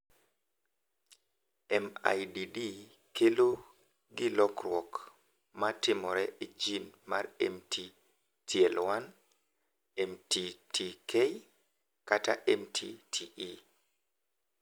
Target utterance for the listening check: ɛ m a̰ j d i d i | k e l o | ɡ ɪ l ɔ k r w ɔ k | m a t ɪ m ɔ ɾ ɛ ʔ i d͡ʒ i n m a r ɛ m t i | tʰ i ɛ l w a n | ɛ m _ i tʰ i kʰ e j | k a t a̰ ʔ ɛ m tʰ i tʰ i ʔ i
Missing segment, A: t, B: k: A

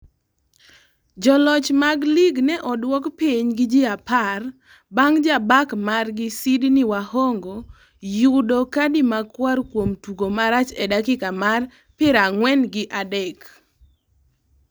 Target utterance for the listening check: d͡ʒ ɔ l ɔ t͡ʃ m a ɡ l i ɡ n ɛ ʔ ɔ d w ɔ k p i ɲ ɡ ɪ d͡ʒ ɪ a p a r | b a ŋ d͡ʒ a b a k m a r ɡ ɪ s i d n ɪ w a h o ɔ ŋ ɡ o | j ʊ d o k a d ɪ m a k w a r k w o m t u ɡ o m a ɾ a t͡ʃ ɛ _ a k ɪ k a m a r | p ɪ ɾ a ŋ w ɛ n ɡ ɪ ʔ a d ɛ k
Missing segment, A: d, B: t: A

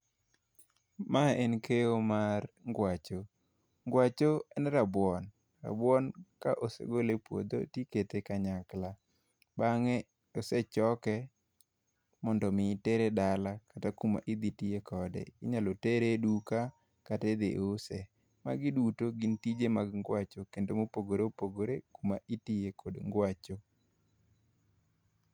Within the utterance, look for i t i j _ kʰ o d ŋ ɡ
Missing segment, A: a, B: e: B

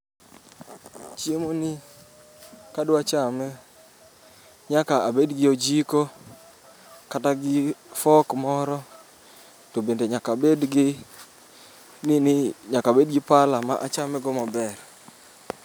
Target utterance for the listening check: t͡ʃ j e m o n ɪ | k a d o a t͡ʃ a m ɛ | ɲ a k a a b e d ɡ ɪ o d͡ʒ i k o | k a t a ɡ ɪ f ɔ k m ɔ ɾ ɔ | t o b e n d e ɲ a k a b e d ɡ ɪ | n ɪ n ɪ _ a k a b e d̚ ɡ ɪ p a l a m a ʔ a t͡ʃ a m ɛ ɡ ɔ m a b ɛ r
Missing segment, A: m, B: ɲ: B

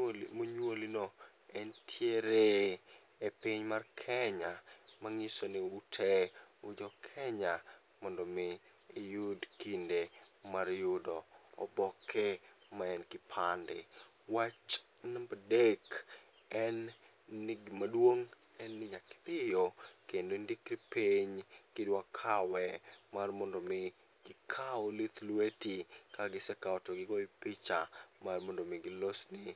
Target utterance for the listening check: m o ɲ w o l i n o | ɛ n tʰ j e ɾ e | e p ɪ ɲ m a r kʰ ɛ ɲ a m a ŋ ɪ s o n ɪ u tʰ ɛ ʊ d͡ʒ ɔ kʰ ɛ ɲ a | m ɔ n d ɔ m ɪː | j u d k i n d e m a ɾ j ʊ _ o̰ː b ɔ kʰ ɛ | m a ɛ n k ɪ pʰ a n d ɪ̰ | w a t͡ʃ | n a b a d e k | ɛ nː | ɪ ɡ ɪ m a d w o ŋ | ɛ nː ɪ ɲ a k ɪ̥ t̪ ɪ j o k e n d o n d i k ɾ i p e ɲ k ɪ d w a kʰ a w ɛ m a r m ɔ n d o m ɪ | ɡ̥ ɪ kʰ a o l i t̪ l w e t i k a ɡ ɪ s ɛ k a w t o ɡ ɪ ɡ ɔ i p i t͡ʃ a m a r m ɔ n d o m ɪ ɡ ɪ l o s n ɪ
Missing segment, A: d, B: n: A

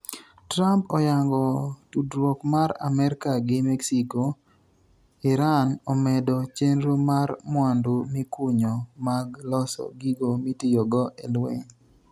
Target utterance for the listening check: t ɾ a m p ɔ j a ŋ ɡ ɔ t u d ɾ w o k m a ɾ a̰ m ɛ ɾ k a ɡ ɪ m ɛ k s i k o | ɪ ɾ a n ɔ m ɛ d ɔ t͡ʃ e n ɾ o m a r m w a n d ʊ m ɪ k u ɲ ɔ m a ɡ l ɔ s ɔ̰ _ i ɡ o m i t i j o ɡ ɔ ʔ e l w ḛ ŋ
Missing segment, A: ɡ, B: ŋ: A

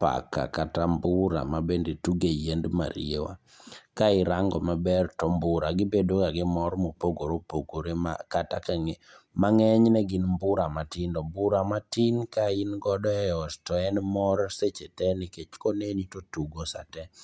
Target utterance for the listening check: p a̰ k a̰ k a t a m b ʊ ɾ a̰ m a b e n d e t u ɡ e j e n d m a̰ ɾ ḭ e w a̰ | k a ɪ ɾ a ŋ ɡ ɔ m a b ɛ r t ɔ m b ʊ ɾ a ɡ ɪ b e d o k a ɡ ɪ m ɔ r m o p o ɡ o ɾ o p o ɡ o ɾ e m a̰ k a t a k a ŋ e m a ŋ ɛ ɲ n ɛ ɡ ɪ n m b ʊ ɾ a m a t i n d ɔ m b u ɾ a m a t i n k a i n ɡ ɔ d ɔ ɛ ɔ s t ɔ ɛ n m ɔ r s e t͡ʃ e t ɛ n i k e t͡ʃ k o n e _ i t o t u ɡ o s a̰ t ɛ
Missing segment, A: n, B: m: A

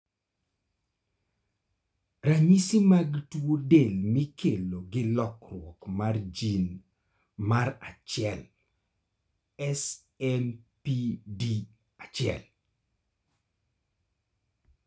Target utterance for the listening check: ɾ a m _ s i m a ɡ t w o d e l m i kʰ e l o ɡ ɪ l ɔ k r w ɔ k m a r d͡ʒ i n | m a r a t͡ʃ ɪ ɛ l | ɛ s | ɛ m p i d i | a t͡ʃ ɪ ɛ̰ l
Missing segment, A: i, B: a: A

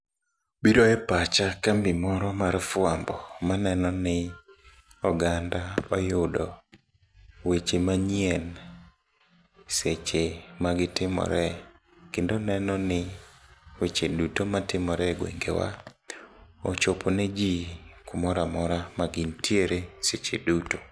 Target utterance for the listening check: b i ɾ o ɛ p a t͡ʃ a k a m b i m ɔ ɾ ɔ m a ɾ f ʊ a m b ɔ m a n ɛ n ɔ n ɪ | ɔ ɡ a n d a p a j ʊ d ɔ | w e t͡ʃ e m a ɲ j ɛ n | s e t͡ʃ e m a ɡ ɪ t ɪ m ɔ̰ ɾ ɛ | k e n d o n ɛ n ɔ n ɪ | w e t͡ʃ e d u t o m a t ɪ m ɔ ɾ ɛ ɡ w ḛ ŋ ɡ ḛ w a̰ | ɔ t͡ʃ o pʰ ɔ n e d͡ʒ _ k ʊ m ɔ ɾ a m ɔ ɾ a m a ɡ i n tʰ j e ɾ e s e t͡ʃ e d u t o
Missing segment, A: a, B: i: B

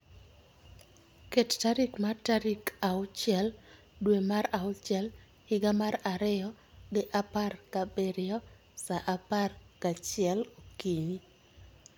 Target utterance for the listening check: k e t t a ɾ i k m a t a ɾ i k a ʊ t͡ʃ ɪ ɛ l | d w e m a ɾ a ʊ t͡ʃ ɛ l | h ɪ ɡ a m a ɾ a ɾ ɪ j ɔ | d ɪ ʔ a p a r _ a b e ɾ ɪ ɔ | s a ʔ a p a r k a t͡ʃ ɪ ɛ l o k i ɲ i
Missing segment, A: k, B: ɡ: A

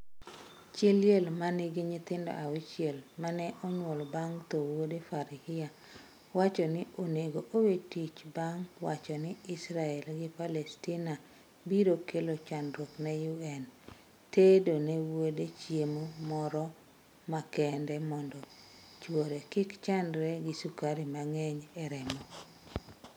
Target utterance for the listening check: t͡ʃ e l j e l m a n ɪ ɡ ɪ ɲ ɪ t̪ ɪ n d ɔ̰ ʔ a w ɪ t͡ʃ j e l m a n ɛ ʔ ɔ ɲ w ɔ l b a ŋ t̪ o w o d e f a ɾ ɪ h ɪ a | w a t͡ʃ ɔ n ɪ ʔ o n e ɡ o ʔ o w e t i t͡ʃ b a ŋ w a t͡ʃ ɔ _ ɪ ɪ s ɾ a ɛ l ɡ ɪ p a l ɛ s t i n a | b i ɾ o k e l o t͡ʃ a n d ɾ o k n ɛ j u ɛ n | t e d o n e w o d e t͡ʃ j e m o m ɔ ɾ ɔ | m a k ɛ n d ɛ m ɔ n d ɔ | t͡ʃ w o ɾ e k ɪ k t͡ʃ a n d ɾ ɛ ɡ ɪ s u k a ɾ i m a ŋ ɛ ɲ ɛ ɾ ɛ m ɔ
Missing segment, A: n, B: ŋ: A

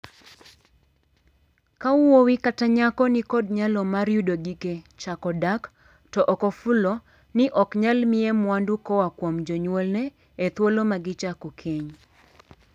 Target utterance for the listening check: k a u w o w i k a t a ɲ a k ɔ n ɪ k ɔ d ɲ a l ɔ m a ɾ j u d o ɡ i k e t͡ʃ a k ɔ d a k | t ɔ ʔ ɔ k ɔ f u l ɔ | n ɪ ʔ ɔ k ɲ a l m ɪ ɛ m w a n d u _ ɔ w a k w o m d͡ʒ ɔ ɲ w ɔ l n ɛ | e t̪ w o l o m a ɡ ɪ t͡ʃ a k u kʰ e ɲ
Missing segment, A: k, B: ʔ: A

